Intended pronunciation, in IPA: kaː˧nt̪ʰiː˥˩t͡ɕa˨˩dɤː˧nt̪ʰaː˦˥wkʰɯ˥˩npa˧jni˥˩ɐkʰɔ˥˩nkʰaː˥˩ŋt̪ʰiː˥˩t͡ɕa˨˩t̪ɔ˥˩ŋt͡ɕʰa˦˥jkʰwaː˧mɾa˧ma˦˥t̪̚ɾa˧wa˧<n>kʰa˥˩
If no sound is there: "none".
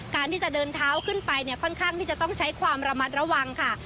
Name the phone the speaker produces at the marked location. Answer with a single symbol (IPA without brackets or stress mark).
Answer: ŋ